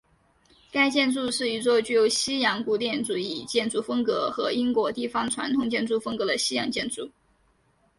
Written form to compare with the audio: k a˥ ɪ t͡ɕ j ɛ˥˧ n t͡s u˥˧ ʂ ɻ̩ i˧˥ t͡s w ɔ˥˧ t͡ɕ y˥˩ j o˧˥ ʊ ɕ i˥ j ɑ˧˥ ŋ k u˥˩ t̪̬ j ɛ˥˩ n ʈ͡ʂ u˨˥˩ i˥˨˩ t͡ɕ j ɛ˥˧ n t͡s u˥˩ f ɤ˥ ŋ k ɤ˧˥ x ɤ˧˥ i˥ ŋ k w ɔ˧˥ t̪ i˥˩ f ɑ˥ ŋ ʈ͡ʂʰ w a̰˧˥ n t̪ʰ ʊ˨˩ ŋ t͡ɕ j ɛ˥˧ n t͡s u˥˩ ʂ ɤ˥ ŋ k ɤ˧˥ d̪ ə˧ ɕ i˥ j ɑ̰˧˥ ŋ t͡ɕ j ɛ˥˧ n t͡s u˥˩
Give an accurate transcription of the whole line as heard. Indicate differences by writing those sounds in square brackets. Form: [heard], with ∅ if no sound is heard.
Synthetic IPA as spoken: k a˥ ɪ t͡ɕ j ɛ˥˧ n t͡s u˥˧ ʂ ɻ̩ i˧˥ t͡s w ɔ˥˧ t͡ɕ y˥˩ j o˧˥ ʊ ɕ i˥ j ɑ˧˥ ŋ k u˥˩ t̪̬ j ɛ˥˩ n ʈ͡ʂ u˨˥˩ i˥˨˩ t͡ɕ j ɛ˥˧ n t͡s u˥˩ f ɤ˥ ŋ k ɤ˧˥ x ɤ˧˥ i˥ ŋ k w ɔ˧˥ t̪ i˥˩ f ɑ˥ ŋ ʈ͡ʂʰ w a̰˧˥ n t̪ʰ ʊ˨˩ ŋ t͡ɕ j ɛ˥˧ n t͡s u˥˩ [f] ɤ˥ ŋ k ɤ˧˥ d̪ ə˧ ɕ i˥ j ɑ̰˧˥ ŋ t͡ɕ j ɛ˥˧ n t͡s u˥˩